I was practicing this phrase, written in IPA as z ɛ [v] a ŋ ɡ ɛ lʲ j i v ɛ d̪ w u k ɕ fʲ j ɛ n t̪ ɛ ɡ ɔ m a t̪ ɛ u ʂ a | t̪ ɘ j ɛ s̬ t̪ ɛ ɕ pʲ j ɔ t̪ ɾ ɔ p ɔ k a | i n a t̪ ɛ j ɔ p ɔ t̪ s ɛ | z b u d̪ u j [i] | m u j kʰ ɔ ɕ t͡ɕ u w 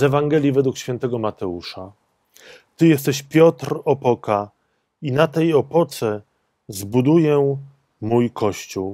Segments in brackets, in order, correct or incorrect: correct, incorrect: ɛ

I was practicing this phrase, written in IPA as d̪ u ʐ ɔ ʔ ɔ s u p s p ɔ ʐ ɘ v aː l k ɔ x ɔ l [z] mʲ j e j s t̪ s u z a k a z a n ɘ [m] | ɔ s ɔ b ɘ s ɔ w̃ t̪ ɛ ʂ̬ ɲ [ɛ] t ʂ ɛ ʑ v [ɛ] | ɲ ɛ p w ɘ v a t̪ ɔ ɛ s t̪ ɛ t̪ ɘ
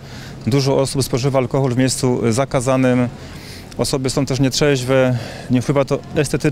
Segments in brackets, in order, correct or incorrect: incorrect: v, correct, correct, correct

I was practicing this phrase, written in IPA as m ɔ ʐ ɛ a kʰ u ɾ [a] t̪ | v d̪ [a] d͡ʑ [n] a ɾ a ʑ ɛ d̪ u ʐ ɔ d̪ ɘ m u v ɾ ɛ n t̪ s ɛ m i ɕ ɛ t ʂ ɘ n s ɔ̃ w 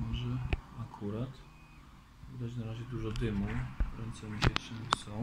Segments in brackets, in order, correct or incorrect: correct, correct, correct

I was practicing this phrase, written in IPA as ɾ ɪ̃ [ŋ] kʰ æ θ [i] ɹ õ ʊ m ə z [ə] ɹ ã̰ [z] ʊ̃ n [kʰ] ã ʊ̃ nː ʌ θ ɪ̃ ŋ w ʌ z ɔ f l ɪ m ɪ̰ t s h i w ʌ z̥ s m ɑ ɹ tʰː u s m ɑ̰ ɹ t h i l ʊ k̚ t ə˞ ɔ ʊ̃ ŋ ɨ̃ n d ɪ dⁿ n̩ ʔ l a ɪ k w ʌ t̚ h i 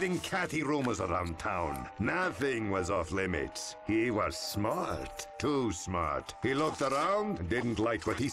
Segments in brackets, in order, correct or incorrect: correct, correct, correct, incorrect: none, incorrect: tʰ

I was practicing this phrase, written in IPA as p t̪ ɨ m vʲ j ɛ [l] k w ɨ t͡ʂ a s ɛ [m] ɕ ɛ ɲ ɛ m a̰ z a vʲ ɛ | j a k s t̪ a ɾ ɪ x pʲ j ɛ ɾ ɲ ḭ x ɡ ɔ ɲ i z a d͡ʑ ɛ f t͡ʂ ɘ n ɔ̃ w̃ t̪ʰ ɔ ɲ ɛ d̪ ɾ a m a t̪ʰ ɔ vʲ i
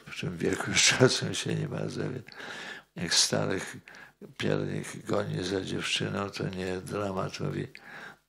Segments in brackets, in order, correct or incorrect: correct, correct

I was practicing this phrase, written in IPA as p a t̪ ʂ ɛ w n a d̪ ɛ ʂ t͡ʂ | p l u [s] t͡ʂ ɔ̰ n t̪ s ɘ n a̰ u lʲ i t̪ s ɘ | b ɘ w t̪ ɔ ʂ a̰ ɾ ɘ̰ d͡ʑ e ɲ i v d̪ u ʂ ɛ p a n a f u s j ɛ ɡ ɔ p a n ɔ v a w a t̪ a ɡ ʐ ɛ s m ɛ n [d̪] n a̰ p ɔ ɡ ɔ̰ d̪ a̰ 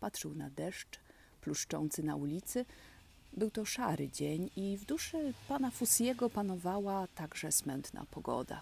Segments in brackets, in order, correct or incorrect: incorrect: ʂ, incorrect: t̪

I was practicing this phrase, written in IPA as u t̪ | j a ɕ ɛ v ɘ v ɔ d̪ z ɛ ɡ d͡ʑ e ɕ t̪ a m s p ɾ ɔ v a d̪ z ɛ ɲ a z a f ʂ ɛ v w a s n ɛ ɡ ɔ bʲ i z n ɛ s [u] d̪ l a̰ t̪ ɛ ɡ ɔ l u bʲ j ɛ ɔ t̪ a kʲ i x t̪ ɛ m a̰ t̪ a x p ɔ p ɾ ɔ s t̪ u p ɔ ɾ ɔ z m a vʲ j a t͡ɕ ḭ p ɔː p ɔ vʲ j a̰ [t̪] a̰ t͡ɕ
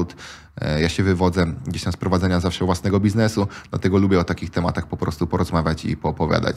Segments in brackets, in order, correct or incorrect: correct, incorrect: d̪

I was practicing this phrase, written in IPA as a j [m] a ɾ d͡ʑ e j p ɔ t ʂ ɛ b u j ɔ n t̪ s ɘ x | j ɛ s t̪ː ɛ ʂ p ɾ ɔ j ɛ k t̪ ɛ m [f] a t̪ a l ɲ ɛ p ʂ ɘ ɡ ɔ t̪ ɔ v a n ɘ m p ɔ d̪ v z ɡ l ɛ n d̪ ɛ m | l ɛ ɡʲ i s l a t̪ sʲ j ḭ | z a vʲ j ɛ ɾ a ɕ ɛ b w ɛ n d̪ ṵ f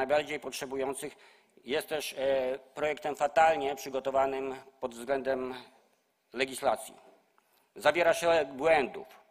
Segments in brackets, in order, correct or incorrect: incorrect: b, correct

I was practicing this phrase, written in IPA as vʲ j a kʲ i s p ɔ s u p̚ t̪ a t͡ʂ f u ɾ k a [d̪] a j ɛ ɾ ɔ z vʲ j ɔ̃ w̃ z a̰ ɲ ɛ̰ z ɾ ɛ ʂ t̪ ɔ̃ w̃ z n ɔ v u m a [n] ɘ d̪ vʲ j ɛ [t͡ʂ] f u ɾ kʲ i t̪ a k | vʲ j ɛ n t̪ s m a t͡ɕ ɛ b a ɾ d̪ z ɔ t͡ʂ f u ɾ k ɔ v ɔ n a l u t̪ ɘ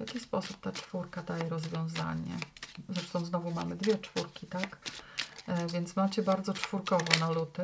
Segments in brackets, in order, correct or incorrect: correct, incorrect: m, correct

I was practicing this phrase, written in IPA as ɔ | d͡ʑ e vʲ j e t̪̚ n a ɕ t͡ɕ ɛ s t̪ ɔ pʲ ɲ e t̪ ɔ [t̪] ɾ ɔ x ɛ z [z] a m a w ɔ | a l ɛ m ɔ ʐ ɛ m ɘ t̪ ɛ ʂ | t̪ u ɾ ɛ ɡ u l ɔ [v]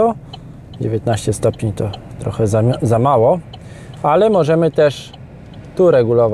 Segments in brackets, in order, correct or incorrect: correct, correct, correct

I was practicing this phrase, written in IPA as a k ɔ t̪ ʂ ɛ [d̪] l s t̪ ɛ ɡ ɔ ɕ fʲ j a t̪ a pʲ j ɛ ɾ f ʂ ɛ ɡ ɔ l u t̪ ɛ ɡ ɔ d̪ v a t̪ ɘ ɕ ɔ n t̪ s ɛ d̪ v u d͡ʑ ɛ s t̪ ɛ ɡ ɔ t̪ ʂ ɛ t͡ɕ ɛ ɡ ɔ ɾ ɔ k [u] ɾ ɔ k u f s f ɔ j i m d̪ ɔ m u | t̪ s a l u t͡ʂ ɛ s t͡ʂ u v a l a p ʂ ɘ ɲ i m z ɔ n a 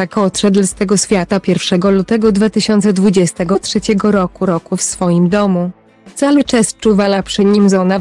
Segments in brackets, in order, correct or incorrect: correct, correct

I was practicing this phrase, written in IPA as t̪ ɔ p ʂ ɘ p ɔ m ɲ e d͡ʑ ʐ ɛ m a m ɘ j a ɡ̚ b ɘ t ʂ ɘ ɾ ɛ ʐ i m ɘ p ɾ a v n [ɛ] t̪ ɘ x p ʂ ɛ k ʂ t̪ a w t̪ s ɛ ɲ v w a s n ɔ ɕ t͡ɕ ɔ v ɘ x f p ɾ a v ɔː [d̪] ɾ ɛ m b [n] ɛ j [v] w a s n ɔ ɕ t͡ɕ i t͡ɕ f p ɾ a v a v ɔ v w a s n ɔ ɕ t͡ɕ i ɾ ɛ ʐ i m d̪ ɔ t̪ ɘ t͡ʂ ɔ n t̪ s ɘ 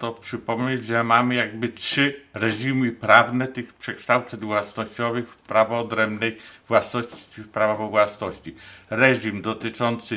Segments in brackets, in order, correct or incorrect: correct, correct, correct, correct

